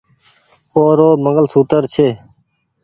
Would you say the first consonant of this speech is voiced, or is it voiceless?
voiced